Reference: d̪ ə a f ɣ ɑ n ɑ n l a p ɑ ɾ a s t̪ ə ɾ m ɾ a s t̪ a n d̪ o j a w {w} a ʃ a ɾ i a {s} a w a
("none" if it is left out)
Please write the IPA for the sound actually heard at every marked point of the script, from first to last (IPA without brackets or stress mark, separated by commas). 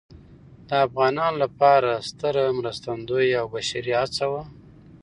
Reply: b, t͡s